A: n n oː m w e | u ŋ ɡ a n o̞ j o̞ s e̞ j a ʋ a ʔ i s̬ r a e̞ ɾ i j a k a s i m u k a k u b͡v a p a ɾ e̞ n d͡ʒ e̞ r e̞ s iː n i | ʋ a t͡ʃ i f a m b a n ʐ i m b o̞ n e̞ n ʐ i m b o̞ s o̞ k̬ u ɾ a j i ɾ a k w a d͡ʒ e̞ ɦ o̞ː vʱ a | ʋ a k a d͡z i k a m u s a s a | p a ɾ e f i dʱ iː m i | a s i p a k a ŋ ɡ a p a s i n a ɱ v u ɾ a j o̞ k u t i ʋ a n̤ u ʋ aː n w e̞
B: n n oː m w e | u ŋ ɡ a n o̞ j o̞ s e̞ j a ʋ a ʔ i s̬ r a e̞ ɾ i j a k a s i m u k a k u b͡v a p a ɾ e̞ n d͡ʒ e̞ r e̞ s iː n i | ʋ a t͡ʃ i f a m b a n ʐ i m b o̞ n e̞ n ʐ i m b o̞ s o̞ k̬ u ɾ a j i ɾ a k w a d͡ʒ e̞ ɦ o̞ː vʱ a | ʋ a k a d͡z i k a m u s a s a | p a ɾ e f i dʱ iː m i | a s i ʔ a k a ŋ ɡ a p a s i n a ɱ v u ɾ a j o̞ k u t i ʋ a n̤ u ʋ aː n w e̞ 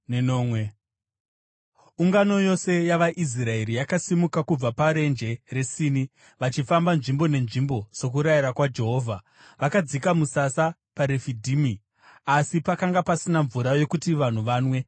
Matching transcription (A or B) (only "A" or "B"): A